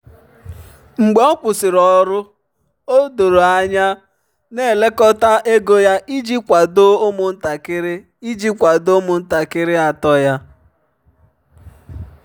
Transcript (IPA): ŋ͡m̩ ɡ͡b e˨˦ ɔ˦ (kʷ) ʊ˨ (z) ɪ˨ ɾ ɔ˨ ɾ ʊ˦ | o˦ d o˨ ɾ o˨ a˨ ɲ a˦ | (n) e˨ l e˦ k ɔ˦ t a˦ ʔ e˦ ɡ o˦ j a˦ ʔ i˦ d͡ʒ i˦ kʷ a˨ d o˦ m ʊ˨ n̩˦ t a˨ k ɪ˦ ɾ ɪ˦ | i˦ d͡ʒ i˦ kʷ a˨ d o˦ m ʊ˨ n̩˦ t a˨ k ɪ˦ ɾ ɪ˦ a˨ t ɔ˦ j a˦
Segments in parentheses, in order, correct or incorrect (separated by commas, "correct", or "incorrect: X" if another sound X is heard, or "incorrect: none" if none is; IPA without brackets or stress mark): correct, incorrect: s, correct